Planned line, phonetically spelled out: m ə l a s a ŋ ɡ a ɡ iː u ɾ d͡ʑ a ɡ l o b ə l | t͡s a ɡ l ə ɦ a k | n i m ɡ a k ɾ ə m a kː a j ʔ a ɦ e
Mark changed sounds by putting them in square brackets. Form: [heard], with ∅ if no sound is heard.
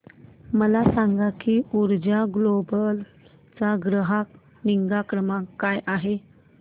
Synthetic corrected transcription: m ə l a s a ŋ ɡ a [k] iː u ɾ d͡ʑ a ɡ l o b ə l | t͡s a ɡ [ɾ] ə ɦ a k | n i [ŋ] ɡ a k ɾ ə m a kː a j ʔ a ɦ e